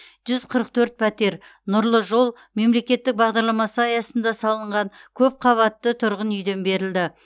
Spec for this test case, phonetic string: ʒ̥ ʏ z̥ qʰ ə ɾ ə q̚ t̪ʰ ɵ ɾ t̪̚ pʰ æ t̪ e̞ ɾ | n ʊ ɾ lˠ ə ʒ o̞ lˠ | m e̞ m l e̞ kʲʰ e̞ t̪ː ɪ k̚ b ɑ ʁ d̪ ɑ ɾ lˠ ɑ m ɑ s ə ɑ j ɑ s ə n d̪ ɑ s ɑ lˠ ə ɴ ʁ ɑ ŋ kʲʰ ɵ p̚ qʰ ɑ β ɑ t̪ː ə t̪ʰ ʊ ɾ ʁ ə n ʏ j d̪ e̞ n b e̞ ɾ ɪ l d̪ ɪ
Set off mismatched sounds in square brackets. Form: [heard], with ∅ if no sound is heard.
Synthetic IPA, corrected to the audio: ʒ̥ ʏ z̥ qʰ ə ɾ ə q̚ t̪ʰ ɵ ɾ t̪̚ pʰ æ t̪ e̞ ɾ | n ʊ ɾ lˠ ə ʒ o̞ lˠ | m e̞ m l e̞ [kʲ] e̞ t̪ː ɪ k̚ b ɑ ʁ d̪ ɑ ɾ lˠ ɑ m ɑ s ə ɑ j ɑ s ə n d̪ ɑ s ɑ lˠ ə ɴ ʁ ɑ ŋ kʲʰ ɵ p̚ qʰ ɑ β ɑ t̪ː ə t̪ʰ ʊ ɾ ʁ ə n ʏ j d̪ e̞ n b e̞ ɾ ɪ l d̪ ɪ